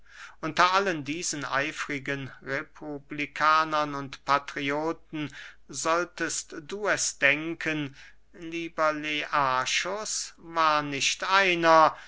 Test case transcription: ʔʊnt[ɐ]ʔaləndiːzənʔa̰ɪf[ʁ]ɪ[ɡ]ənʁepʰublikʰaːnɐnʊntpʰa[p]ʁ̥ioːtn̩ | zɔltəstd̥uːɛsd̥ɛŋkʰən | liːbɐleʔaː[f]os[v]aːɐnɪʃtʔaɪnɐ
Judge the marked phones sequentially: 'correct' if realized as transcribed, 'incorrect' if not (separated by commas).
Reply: correct, correct, correct, incorrect, incorrect, correct